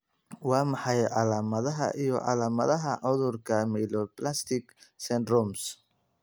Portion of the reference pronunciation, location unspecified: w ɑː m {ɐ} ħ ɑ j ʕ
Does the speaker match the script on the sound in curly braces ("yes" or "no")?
no